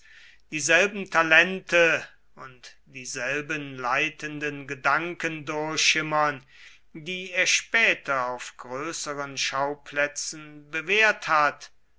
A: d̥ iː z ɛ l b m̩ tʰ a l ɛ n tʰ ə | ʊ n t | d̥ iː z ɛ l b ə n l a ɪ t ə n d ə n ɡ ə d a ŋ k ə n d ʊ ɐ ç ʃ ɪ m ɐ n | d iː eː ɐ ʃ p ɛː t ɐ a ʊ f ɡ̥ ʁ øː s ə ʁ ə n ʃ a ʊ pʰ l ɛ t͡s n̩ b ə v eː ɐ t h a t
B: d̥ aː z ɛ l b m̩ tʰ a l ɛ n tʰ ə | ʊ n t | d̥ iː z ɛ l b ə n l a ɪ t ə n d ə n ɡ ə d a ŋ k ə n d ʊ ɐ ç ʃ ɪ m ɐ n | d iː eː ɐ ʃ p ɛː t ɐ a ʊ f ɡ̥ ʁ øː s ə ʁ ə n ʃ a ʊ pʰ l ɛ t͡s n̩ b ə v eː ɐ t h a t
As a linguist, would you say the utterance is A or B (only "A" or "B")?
A